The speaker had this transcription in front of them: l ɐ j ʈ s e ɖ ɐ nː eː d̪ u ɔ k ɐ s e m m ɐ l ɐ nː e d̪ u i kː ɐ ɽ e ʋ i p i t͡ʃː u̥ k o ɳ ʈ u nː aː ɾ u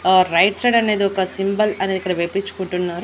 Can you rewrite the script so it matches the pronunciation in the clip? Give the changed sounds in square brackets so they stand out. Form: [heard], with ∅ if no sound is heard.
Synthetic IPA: [ɾ] ɐ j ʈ s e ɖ ɐ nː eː d̪ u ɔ k ɐ s [i] m [b] ɐ l ɐ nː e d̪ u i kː ɐ ɽ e ʋ [e] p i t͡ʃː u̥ k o ɳ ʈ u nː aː ɾ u